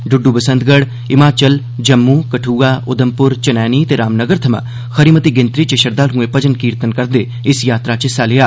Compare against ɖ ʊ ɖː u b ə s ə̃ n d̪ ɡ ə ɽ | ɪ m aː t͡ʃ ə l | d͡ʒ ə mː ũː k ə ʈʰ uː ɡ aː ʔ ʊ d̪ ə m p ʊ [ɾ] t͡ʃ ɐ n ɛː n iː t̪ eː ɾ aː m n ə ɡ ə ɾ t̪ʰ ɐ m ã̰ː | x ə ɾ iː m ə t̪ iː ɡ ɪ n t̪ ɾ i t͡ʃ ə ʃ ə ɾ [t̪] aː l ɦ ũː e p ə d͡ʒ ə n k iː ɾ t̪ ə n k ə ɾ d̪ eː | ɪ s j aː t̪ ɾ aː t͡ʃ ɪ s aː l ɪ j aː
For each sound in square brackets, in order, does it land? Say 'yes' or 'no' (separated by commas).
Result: yes, no